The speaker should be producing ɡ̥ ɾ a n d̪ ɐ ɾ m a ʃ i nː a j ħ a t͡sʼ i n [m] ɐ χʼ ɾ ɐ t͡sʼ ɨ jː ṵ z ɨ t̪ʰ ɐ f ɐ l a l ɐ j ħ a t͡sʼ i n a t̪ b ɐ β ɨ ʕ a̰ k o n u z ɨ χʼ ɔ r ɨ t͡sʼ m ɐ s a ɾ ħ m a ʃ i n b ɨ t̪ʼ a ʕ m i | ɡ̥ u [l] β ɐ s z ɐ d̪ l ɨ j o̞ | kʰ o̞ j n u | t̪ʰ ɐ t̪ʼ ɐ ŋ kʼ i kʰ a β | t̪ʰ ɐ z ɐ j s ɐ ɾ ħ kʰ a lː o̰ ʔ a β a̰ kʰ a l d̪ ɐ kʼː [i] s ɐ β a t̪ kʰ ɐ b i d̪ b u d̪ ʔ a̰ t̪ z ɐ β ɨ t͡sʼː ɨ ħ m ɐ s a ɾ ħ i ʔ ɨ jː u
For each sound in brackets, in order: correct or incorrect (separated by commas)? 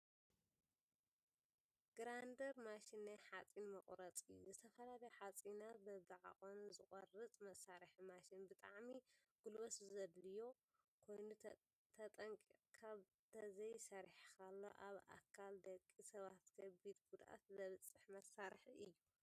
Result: correct, correct, correct